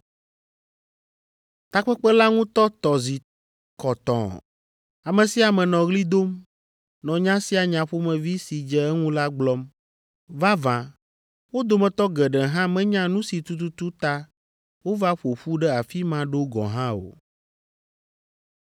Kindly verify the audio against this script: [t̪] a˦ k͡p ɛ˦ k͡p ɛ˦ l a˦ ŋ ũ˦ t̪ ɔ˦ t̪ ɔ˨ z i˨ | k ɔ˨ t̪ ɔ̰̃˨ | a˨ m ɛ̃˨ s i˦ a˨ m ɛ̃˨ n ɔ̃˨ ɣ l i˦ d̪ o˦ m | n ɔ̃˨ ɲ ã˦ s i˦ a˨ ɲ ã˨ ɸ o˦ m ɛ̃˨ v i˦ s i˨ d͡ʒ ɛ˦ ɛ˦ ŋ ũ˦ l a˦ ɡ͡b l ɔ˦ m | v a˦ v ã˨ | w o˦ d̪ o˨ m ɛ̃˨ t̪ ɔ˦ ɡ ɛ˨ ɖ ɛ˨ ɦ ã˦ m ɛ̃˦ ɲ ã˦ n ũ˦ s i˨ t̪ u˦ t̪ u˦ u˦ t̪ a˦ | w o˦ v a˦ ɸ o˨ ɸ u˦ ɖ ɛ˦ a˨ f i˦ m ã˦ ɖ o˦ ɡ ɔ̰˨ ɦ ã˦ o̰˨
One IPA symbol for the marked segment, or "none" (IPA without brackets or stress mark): t̪